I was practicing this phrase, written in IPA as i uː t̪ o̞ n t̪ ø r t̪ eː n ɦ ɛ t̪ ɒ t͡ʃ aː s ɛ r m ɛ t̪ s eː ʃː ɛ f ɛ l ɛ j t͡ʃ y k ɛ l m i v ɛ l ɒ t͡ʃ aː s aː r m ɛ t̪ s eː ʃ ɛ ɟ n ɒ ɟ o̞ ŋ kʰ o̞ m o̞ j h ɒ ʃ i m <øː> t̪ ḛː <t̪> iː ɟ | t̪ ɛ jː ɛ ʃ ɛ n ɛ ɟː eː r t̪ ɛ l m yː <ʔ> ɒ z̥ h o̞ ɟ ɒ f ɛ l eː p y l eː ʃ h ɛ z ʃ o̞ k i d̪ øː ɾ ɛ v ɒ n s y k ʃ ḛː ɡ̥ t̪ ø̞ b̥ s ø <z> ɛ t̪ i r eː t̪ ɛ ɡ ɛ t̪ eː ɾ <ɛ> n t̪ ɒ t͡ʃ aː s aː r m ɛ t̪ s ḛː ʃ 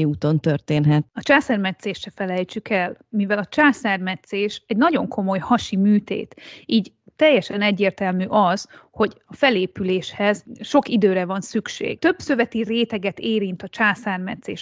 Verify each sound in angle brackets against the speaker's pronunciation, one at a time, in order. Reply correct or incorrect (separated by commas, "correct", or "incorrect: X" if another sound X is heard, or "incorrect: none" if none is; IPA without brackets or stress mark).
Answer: incorrect: yː, correct, correct, incorrect: v, incorrect: i